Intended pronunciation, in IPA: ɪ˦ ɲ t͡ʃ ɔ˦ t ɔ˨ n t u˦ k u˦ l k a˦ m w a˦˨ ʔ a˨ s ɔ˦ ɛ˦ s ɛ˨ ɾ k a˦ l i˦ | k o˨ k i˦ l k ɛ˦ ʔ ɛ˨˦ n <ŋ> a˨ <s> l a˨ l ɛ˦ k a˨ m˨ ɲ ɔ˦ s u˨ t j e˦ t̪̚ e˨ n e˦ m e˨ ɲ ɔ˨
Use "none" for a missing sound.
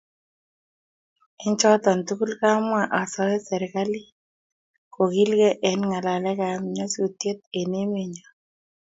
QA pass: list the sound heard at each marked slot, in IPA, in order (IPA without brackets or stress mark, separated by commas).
ŋ, none